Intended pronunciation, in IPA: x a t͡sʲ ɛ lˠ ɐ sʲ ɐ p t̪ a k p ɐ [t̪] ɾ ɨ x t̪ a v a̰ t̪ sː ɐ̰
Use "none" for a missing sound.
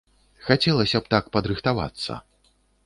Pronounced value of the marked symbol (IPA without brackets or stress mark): d̪